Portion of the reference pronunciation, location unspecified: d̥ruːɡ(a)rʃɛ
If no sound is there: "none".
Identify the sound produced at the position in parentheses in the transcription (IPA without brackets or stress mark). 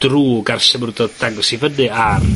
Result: a